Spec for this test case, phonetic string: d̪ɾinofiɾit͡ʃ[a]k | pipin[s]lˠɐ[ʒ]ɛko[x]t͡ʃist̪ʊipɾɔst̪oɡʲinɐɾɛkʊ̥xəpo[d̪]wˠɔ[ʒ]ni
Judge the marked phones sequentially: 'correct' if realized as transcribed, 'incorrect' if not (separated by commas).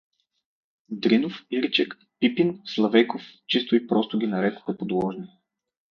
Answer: incorrect, correct, incorrect, incorrect, correct, correct